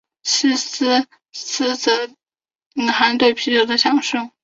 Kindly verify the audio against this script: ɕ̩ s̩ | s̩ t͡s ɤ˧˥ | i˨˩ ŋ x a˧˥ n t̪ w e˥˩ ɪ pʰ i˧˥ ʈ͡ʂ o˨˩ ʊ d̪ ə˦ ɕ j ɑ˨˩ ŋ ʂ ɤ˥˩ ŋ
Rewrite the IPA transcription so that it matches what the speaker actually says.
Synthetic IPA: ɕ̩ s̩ | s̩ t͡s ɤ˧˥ | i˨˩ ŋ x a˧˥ n t̪ w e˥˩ ɪ pʰ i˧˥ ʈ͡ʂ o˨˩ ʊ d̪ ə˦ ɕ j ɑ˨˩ ŋ ʂ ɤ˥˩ ŋ